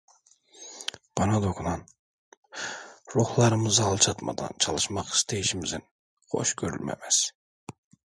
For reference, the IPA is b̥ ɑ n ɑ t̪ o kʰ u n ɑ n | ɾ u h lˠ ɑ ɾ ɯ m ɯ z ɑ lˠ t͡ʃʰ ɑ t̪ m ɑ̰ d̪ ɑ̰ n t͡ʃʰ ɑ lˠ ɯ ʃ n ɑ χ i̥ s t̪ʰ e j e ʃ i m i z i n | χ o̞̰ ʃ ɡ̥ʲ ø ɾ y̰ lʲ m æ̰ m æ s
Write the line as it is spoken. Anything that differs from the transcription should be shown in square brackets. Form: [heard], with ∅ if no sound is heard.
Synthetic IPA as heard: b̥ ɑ n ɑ [d̪] o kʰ u n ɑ n | ɾ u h lˠ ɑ ɾ ɯ m ɯ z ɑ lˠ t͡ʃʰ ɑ t̪ m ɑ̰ d̪ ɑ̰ n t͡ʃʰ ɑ lˠ ɯ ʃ [m] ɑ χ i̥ s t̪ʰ e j [i] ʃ i m i z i n | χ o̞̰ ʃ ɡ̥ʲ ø ɾ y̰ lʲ m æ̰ m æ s